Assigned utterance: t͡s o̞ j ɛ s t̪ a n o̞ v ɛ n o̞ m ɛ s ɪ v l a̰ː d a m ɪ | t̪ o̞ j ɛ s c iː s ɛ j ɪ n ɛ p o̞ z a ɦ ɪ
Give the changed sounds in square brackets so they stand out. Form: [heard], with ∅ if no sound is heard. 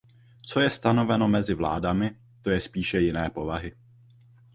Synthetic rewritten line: t͡s o̞ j ɛ s t̪ a n o̞ v ɛ n o̞ m ɛ [z] ɪ v l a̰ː d a m ɪ | t̪ o̞ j ɛ s [p] iː [ʃ] ɛ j ɪ n [ɛː] p o̞ [v] a ɦ ɪ